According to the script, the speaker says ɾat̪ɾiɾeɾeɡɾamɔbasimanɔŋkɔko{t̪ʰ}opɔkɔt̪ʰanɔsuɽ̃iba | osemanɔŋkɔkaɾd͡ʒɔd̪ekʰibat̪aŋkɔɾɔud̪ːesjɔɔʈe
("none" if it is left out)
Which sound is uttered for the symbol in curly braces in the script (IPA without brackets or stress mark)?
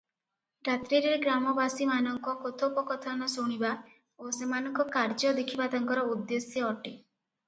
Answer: t̪ʰ